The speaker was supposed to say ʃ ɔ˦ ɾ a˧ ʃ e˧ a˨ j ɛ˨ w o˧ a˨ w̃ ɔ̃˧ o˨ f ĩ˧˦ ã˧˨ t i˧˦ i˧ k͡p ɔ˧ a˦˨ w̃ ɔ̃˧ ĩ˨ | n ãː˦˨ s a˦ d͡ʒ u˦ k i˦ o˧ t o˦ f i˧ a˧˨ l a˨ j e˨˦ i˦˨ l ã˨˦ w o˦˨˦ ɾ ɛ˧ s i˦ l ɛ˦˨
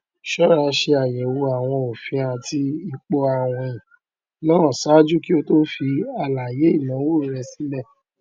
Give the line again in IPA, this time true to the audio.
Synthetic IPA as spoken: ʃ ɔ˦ ɾ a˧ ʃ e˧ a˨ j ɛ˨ w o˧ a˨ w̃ ɔ̃˧ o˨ f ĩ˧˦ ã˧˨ t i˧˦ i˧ k͡p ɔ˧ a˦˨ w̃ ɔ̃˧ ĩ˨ | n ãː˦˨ s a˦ d͡ʒ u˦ k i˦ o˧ t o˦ f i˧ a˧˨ l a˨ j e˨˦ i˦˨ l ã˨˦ w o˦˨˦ ɾ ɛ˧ s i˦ l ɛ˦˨